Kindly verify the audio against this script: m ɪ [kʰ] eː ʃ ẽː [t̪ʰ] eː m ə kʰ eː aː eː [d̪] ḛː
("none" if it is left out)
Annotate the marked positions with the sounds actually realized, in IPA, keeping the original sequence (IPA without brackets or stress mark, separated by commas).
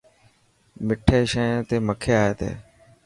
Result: ʈʰ, t̪, t̪